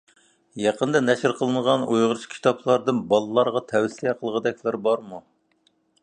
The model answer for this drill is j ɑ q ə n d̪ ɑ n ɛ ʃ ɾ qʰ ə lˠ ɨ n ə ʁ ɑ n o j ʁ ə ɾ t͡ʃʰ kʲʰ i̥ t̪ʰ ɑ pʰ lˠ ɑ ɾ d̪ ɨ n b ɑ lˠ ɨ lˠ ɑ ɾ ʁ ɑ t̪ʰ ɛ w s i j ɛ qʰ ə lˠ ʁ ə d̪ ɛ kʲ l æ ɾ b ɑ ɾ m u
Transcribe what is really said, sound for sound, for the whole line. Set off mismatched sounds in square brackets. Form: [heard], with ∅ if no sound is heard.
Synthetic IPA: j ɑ q ə n d̪ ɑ n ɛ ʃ ɾ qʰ ə lˠ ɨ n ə ʁ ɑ n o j ʁ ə ɾ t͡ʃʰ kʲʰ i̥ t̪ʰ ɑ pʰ lˠ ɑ ɾ d̪ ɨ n b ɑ lˠ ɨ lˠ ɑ ɾ ʁ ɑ t̪ʰ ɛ w s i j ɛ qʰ ə lˠ ʁ ə d̪ ɛ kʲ l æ ɾ b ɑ ɾ m u